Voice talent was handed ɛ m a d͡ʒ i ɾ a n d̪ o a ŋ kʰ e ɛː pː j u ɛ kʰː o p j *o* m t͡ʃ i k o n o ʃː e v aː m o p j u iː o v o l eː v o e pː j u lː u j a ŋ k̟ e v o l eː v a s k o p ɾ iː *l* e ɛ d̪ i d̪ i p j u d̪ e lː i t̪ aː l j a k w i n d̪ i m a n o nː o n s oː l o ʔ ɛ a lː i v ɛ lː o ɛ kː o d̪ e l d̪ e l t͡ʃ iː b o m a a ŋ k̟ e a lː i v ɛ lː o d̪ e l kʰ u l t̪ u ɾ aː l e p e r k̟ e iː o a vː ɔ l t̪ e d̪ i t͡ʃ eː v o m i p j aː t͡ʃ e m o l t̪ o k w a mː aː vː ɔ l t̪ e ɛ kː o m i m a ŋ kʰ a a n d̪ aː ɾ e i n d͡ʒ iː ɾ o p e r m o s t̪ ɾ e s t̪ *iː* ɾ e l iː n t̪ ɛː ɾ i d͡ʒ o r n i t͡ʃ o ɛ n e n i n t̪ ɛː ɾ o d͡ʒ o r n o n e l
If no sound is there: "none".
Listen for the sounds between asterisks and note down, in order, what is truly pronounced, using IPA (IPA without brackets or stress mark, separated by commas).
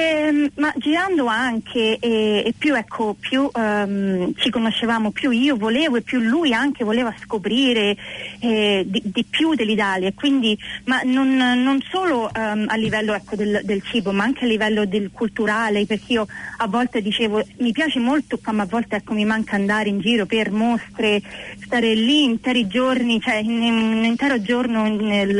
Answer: u, ɾ, aː